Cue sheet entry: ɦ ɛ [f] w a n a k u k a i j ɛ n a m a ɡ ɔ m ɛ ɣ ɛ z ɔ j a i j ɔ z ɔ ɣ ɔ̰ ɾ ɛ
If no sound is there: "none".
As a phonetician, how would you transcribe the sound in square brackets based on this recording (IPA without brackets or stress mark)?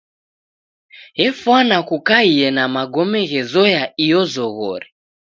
f